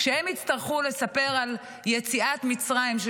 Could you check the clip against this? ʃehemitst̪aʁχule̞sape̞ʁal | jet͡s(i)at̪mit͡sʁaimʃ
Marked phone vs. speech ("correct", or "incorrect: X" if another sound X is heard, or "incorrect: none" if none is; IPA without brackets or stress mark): correct